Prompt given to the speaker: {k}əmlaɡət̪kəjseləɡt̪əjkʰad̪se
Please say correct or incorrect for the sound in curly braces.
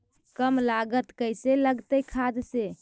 correct